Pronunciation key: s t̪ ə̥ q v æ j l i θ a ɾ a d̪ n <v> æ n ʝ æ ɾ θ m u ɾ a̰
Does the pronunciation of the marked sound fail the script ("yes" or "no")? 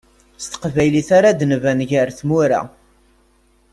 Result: no